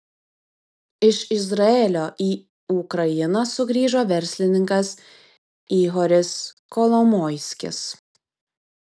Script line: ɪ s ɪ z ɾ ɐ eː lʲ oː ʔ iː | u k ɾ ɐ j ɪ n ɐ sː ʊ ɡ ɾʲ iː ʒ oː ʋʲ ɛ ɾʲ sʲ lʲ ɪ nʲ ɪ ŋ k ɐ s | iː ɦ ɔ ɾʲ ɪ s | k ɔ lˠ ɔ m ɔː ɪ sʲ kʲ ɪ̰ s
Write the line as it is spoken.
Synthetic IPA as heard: ɪ ʃ ɪ z ɾ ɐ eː lʲ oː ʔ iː | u k ɾ ɐ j ɪ n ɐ s ʊ ɡ ɾʲ iː ʒ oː ʋʲ ɛ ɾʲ sʲ lʲ ɪ nʲ ɪ ŋ k ɐ s | iː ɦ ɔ ɾʲ ɪ s | k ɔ lˠ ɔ m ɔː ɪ sʲ kʲ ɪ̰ s